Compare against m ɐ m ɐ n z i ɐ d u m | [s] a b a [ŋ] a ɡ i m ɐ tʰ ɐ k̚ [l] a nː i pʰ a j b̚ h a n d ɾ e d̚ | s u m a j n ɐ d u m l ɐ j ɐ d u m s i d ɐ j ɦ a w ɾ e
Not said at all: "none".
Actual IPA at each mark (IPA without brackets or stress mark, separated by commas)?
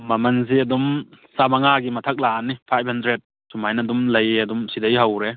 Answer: s, ŋ, l